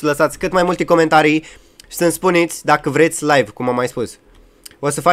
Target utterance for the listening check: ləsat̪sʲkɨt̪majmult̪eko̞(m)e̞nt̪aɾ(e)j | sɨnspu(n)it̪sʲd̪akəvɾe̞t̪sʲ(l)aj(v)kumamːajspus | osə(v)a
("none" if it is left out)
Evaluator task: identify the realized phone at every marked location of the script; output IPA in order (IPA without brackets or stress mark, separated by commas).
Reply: m, i, n, l, v, f